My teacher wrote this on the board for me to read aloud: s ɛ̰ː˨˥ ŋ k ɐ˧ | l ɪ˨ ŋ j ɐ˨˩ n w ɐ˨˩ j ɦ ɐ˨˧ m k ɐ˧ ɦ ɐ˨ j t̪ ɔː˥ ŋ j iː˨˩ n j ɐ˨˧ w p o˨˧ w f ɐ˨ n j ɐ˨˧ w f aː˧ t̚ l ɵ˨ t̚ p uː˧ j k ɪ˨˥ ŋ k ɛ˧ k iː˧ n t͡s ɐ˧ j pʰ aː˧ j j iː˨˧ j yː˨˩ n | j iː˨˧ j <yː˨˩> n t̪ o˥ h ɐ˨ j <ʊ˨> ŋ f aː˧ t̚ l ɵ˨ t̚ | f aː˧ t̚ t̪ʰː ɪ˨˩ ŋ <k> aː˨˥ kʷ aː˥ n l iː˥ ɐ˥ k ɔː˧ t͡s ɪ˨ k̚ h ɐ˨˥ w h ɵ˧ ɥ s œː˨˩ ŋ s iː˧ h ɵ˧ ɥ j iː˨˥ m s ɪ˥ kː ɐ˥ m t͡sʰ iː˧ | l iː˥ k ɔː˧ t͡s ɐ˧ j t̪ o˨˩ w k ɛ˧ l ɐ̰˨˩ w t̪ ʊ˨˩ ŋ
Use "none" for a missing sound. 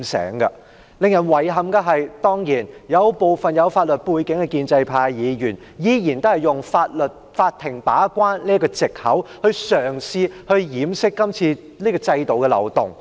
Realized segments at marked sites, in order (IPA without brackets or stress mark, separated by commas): iː˨˩, ʊ˨, p